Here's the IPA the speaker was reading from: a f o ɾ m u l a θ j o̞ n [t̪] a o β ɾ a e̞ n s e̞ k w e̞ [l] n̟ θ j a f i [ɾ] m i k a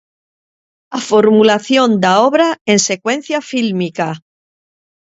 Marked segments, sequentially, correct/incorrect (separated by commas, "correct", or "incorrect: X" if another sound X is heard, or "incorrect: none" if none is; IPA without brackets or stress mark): incorrect: d̪, incorrect: none, incorrect: l